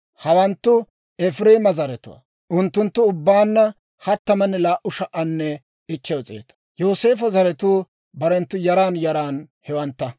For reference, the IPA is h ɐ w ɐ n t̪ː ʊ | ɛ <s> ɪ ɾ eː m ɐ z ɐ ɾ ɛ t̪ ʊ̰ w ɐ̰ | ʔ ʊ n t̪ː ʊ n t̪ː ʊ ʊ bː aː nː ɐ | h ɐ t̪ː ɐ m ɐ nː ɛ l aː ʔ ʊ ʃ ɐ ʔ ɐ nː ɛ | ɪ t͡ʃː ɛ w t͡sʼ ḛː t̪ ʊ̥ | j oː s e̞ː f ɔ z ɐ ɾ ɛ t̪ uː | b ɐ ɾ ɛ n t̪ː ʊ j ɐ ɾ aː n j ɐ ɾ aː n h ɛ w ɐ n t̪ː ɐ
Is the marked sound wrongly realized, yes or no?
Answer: yes